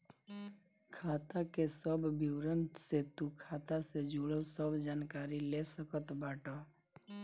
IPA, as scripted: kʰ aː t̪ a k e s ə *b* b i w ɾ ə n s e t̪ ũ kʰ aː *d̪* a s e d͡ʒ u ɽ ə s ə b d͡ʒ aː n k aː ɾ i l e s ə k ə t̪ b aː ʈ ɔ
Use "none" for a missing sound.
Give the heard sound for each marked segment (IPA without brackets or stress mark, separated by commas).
b, t̪